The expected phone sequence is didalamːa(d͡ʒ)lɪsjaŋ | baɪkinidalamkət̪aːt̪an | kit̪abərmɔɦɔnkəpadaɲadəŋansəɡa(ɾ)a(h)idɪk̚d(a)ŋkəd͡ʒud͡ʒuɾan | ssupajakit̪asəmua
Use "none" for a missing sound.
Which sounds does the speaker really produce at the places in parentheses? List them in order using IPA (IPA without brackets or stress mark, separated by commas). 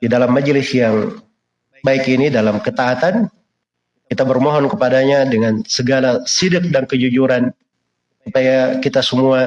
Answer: d͡ʒ, l, s, a